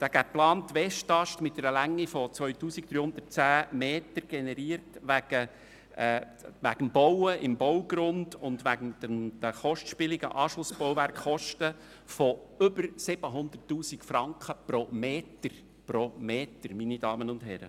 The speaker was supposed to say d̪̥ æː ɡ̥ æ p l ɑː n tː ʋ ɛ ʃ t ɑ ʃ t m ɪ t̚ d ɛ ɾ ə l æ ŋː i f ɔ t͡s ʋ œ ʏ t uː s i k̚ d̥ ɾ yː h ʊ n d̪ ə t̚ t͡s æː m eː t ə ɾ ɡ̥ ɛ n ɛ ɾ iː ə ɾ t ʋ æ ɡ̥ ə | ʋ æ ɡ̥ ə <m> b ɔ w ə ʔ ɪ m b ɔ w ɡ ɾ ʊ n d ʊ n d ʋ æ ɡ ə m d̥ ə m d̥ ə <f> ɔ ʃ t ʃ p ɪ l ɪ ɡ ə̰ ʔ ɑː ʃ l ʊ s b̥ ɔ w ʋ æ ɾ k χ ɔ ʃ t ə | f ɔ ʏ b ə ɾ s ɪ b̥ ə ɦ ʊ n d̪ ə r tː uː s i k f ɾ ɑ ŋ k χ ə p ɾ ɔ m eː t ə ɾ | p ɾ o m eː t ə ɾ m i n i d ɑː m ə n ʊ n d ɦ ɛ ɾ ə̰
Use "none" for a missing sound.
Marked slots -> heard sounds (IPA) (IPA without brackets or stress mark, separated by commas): m, χ